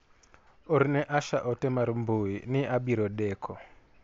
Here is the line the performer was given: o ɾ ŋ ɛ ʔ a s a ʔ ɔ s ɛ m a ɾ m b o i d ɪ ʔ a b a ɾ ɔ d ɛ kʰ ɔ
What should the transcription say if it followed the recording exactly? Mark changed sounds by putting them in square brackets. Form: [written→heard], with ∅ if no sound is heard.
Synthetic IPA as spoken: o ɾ [ŋ→n] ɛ ʔ a [s→ʃ] a ʔ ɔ [s→t] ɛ m a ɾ m b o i [d→n] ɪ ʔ a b [a→i] ɾ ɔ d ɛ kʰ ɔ